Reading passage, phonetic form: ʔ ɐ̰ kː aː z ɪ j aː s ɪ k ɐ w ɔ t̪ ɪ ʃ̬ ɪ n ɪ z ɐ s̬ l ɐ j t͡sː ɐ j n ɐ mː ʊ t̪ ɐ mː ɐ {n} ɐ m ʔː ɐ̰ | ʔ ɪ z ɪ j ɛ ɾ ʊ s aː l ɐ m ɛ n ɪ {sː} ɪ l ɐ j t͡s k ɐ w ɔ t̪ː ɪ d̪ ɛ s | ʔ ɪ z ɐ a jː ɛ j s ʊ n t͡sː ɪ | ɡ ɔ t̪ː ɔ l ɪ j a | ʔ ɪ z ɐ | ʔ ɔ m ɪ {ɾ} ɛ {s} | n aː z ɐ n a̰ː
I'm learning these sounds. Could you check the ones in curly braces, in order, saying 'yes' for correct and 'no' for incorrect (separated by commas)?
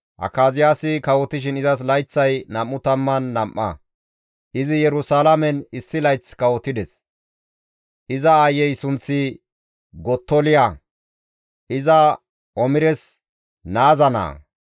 no, yes, yes, yes